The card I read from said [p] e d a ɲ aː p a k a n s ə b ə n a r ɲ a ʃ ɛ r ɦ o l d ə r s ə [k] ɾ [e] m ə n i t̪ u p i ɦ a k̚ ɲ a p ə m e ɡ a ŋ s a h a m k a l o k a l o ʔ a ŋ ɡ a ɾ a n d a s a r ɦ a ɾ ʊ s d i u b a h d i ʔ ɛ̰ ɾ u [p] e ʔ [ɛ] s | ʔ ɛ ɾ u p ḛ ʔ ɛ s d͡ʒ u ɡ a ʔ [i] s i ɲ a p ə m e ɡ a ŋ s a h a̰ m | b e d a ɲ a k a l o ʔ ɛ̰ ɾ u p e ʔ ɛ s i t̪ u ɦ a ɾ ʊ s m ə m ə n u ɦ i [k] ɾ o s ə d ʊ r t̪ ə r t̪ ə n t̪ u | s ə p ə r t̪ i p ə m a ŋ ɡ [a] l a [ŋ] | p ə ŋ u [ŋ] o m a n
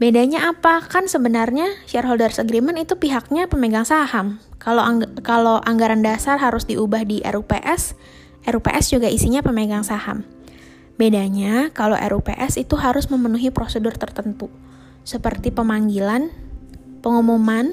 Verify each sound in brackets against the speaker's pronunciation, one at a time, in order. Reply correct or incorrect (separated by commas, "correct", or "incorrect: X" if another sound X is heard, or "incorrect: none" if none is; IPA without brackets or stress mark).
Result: incorrect: b, incorrect: ɡ, incorrect: i, correct, correct, correct, incorrect: p, incorrect: i, incorrect: n, incorrect: m